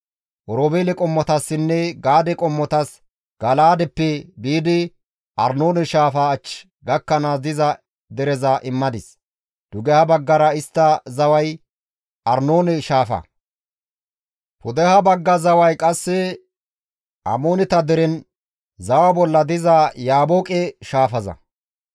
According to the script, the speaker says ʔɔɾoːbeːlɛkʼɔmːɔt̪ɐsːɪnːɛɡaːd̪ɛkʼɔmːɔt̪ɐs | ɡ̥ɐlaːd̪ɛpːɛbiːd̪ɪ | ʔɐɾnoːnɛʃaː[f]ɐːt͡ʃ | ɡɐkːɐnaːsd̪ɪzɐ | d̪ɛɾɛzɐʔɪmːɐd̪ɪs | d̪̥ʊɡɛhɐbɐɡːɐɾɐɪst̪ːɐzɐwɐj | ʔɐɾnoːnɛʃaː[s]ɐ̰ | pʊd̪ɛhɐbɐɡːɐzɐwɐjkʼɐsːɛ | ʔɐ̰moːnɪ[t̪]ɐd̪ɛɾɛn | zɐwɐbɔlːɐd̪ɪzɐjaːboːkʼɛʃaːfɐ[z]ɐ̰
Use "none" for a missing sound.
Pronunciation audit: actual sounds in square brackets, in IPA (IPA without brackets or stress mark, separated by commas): f, f, t̪, z